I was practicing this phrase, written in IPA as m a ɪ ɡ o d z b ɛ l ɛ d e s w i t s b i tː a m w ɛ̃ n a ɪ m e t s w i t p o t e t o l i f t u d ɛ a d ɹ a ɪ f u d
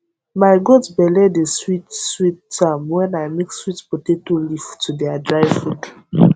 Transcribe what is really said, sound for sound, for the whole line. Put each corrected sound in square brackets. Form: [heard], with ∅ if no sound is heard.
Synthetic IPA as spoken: m a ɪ ɡ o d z b ɛ l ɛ d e s w i t s [w] i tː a m w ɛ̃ n a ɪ m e [k] s w i t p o t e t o l i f t u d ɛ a d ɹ a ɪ f u d